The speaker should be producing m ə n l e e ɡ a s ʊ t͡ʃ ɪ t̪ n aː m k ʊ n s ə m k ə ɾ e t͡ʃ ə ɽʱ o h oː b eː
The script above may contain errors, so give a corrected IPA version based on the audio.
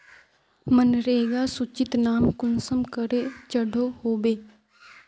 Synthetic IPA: m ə n ɾ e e ɡ a s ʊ t͡ʃ ɪ t̪ n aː m k ʊ n s ə m k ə ɾ e t͡ʃ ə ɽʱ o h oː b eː

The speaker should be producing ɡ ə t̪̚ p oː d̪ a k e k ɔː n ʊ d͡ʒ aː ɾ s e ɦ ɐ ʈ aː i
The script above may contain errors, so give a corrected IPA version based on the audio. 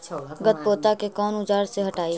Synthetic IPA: ɡ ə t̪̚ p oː t̪ a k e k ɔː n ʊ d͡ʒ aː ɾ s e ɦ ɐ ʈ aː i

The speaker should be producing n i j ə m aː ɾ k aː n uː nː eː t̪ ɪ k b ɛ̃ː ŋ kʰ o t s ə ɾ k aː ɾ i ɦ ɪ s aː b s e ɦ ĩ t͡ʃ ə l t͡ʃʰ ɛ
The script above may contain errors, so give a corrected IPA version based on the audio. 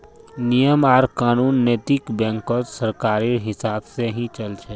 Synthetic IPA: n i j ə m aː ɾ k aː n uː nː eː t̪ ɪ k b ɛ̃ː ŋ k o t s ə ɾ k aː ɾ i ɦ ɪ s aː b s e ɦ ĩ t͡ʃ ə l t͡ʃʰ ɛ

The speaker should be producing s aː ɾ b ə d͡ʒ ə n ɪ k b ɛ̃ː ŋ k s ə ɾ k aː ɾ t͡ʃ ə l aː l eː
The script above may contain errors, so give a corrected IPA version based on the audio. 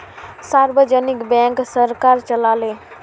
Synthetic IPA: s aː ɾ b ə d͡ʒ ə n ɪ k b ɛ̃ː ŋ k s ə ɾ k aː ɾ t͡ʃ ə l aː l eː

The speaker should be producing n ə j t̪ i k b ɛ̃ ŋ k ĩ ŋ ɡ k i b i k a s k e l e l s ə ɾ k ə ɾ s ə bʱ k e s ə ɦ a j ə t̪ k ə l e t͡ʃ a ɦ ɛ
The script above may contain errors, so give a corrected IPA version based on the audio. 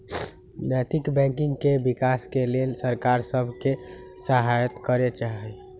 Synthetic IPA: n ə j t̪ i k b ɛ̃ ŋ k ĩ ŋ ɡ k e b i k a s k e l e l s ə ɾ k a ɾ s ə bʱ k e s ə ɦ a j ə t̪ k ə ɾ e t͡ʃ a ɦ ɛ

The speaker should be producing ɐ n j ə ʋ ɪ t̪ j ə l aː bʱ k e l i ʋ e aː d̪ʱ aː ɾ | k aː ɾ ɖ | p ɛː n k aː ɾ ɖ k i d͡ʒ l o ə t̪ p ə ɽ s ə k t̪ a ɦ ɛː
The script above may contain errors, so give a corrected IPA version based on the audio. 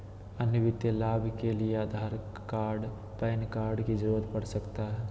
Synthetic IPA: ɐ n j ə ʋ ɪ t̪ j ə l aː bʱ k e l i e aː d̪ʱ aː ɾ | k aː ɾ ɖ | p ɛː n k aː ɾ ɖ k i d͡ʒ ɾ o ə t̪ p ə ɽ s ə k t̪ a ɦ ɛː

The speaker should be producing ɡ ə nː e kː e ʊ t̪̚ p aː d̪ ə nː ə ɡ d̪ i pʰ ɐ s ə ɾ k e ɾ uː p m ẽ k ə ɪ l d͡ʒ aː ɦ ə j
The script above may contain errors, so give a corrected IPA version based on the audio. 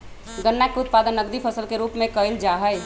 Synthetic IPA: ɡ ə nː a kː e ʊ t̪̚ p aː d̪ ə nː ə ɡ d̪ i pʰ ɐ s ə l k e ɾ uː p m ẽ k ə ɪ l d͡ʒ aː ɦ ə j

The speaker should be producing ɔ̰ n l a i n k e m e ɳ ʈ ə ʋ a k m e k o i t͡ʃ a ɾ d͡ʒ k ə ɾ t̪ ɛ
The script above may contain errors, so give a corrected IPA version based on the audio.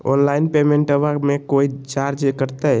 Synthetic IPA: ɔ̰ n l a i n p e m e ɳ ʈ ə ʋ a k m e k o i t͡ʃ a ɾ d͡ʒ k ə ɾ t̪ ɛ

